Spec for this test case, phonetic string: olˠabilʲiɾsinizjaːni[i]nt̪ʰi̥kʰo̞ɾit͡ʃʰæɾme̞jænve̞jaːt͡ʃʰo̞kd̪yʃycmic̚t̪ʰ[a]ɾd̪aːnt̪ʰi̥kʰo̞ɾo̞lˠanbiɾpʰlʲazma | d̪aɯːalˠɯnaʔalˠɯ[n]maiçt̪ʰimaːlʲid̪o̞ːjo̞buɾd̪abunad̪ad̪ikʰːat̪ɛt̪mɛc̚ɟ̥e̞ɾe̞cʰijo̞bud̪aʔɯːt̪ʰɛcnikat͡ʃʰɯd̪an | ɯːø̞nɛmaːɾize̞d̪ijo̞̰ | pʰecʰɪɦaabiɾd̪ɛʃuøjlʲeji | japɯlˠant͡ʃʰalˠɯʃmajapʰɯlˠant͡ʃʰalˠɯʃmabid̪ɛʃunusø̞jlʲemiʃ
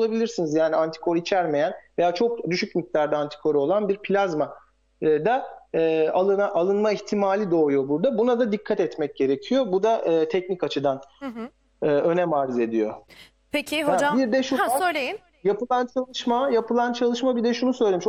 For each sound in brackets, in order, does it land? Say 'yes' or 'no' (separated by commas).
no, yes, yes